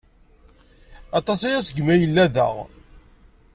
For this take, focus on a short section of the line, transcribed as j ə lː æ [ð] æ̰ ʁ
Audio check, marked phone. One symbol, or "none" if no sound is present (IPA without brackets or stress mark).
ð